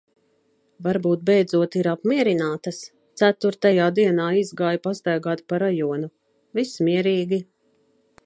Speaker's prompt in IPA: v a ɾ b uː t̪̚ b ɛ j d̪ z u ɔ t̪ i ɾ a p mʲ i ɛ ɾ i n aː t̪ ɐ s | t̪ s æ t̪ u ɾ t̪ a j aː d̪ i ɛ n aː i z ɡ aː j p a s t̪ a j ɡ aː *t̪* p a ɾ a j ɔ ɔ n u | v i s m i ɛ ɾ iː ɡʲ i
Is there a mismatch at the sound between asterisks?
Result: no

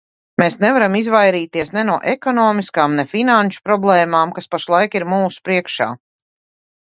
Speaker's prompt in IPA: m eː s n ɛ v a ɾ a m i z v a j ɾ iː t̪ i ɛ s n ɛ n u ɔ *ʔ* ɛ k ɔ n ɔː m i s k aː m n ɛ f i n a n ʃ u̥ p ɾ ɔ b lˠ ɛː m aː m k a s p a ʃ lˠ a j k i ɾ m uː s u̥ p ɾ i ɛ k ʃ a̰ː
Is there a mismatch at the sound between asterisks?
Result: no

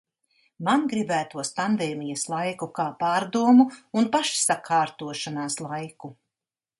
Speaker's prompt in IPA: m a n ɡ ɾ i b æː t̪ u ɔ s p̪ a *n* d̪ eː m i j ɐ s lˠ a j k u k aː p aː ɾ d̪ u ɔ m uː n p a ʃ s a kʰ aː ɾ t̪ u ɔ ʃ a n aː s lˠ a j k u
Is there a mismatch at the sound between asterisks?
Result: no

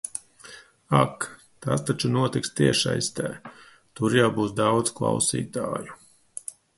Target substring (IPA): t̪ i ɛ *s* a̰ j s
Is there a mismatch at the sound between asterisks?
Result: yes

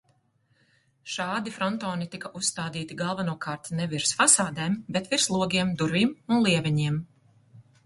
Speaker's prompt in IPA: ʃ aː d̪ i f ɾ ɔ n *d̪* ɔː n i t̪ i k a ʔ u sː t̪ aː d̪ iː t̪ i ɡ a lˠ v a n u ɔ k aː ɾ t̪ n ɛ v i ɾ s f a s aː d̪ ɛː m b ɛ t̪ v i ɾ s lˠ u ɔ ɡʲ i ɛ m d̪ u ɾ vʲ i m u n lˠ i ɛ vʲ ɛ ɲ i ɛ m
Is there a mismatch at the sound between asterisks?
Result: yes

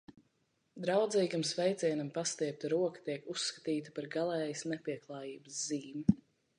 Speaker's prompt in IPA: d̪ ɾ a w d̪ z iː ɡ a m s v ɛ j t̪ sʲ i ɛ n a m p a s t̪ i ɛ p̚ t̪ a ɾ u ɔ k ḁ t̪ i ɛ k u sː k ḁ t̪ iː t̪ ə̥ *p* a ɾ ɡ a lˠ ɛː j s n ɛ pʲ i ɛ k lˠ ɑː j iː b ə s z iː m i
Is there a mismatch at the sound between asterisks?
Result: no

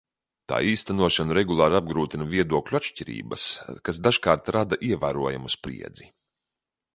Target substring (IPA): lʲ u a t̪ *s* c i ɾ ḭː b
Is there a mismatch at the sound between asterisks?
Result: yes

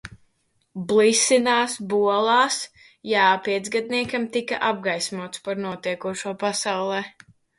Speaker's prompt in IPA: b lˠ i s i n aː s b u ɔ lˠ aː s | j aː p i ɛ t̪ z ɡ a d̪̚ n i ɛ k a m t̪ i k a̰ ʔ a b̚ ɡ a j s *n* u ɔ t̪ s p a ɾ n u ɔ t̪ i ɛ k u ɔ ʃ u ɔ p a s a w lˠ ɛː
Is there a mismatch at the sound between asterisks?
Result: yes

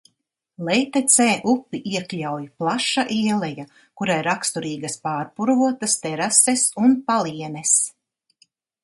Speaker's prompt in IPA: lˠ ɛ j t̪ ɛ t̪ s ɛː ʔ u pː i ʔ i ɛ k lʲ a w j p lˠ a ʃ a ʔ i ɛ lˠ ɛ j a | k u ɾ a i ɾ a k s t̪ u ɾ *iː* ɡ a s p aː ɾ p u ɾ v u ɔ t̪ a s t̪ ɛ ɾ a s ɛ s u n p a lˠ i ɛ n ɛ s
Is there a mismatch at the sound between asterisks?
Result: no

